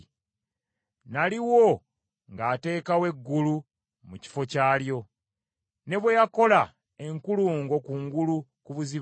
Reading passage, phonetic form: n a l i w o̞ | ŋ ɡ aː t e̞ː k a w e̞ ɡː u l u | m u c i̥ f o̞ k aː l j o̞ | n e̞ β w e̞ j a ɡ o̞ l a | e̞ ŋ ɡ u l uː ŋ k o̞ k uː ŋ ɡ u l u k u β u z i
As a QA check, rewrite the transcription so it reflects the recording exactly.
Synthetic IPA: n a l i w o̞ | ŋ ɡ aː t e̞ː k a w e̞ ɡː u l u | m u c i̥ f o̞ c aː l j o̞ | n e̞ β w e̞ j a k o̞ l a | e̞ ŋ k u l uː ŋ ɡ o̞ k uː ŋ ɡ u l u k u β u z i